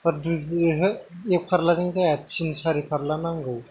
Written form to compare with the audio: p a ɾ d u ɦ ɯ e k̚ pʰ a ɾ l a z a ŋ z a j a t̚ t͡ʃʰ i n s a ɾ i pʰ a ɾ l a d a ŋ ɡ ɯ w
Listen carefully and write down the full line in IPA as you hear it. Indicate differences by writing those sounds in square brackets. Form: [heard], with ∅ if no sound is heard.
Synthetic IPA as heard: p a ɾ d u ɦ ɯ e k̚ pʰ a ɾ l a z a ŋ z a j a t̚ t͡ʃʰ i n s a ɾ i pʰ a ɾ l a [n] a ŋ ɡ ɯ w